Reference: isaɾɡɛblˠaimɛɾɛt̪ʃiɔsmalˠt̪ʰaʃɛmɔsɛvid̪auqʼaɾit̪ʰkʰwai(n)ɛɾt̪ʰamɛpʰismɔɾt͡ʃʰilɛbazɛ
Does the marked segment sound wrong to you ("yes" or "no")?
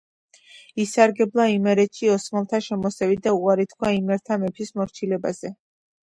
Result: yes